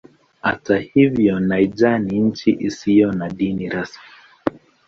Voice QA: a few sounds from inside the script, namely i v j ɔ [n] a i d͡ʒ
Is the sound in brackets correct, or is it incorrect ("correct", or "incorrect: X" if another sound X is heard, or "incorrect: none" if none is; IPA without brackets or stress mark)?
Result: correct